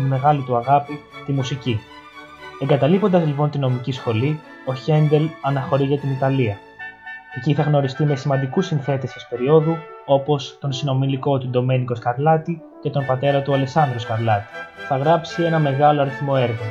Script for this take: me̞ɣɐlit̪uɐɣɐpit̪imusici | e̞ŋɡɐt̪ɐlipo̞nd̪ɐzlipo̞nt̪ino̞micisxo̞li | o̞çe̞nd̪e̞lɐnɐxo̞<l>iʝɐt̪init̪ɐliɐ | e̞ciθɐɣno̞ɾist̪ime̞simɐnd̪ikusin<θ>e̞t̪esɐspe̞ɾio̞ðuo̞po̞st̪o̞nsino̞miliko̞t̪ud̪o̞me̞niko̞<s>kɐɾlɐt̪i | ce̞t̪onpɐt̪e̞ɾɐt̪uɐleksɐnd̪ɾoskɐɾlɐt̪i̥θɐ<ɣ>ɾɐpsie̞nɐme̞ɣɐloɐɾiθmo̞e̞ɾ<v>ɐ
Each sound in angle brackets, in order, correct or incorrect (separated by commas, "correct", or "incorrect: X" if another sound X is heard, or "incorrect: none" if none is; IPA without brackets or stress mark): incorrect: ɾ, correct, correct, correct, incorrect: ɣ